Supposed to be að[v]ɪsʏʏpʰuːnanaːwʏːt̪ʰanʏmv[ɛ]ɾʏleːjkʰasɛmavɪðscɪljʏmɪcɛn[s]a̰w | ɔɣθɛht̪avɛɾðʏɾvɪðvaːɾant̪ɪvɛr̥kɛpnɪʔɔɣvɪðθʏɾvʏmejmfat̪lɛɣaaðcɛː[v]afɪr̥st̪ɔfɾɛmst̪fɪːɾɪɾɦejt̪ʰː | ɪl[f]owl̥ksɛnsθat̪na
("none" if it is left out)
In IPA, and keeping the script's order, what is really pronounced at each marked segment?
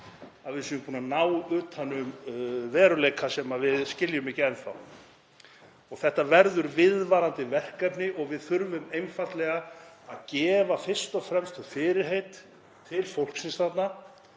v, ɛː, θ, v, f

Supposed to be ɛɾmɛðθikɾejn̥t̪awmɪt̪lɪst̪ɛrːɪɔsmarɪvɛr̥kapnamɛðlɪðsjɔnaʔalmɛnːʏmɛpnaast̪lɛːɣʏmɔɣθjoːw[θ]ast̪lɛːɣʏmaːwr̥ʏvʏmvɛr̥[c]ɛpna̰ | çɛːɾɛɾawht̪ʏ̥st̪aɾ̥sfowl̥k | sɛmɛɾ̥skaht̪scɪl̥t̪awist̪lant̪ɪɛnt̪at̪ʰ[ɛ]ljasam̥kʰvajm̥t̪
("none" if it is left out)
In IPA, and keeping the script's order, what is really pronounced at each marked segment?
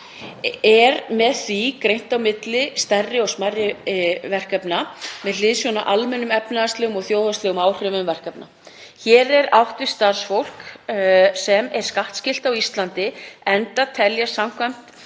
ð, k, ɛ

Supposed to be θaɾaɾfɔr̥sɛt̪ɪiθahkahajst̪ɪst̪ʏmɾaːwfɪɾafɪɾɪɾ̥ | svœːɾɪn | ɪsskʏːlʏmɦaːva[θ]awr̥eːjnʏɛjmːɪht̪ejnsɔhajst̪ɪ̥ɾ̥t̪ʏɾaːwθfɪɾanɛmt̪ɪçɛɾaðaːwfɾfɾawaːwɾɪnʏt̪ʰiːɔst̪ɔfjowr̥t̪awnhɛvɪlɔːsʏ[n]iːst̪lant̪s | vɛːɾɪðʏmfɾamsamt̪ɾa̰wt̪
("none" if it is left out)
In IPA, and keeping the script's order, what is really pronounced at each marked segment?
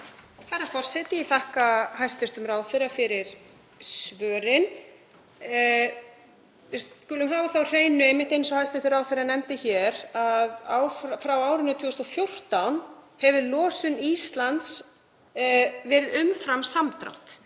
θ, n

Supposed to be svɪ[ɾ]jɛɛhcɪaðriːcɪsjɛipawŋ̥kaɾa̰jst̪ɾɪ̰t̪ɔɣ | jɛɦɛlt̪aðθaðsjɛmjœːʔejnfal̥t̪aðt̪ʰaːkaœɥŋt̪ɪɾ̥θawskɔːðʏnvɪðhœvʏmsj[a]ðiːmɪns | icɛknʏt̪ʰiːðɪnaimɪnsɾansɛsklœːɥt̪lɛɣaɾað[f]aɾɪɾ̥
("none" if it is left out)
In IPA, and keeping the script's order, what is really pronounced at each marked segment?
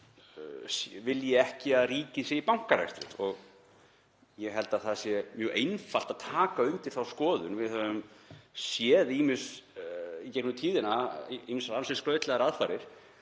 l, ɛ, f

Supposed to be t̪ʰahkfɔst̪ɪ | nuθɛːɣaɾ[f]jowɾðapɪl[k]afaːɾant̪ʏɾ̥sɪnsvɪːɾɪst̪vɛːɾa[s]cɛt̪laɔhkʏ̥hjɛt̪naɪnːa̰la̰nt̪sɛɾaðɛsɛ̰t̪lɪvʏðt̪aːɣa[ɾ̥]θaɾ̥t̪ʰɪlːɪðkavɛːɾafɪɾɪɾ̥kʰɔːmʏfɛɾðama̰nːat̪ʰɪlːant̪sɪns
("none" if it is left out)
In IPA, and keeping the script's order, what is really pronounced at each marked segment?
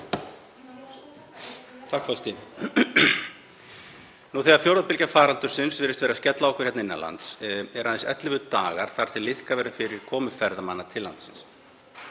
f, c, s, ɾ̥

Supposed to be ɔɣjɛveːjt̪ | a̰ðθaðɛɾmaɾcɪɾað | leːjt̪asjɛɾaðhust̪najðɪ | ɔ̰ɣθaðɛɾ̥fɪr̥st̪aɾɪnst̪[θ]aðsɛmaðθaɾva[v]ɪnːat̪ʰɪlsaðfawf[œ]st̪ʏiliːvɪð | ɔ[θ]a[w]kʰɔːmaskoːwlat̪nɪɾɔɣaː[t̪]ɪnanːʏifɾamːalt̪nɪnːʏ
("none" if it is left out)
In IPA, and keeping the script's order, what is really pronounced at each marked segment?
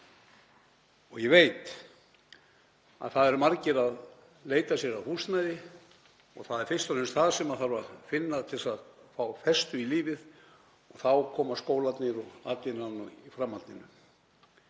θ, f, ɛ, θ, w, t̪

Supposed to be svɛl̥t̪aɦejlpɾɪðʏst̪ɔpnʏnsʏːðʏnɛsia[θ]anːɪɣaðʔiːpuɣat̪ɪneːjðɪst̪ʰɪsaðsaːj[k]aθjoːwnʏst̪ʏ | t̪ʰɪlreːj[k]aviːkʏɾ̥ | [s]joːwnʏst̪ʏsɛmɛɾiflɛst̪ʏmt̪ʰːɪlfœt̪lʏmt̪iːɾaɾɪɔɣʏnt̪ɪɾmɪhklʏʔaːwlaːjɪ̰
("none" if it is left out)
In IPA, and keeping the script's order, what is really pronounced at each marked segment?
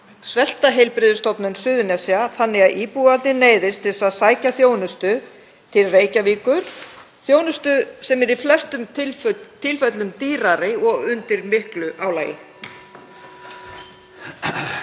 θ, c, c, θ

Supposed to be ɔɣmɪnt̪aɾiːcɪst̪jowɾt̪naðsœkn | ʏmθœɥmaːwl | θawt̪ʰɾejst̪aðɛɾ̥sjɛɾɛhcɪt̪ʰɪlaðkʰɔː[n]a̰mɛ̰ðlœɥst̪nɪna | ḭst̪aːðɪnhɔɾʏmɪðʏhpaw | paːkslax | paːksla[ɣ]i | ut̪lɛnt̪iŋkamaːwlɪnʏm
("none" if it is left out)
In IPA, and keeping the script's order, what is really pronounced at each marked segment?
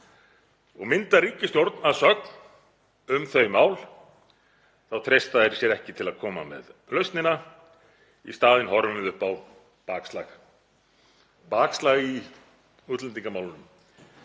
m, ɣ

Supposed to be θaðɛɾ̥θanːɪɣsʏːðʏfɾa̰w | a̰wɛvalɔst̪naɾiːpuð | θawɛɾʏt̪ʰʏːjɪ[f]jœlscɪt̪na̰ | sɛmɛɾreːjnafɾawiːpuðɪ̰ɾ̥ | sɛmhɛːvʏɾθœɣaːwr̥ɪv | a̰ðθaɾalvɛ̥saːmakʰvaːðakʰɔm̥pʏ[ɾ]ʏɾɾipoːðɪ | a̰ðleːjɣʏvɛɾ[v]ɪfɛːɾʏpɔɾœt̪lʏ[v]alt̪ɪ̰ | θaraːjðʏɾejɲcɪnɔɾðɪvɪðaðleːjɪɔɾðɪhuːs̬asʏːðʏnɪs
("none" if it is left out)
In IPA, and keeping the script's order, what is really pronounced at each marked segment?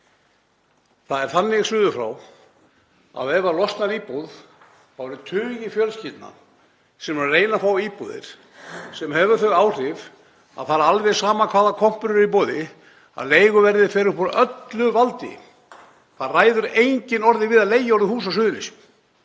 f, ɾ, ð, v

